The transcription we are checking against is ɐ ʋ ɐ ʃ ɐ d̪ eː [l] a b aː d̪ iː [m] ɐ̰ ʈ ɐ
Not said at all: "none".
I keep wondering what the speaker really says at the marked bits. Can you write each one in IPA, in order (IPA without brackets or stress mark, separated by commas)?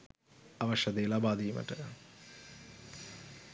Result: l, m